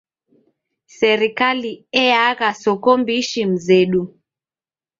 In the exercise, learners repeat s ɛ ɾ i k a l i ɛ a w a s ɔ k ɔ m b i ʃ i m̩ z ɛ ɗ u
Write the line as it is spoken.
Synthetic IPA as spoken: s ɛ ɾ i k a l i ɛ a ɣ a s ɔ k ɔ m b i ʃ i m̩ z ɛ ɗ u